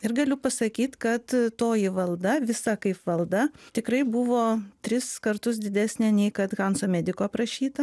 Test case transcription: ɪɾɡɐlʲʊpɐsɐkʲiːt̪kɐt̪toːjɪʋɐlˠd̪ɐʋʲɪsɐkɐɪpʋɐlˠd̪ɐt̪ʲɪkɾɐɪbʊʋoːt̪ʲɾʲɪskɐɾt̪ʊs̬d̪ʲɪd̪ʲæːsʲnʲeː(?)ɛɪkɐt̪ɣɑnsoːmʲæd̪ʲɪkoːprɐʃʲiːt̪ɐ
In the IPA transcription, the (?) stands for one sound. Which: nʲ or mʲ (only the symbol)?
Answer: nʲ